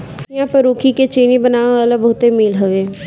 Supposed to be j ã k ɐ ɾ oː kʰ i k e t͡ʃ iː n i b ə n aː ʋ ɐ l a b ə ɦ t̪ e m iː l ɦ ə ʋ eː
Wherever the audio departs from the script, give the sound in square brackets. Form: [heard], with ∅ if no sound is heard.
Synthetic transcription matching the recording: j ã [p] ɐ ɾ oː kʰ i k e t͡ʃ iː n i b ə n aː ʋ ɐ l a b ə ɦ t̪ e m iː l ɦ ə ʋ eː